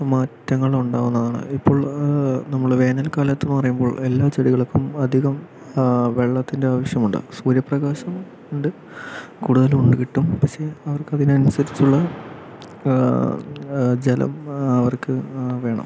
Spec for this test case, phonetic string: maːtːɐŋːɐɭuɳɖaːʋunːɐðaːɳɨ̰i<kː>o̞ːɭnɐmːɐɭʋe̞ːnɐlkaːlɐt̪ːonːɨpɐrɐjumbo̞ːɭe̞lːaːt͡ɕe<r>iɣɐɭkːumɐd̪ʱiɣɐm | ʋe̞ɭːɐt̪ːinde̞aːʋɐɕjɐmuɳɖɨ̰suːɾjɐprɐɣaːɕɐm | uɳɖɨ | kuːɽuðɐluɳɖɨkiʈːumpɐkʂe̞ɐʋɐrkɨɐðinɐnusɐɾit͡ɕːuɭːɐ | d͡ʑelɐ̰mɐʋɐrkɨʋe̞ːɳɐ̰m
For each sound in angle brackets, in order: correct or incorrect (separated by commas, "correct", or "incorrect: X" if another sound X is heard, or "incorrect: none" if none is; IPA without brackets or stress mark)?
incorrect: pː, incorrect: ɽ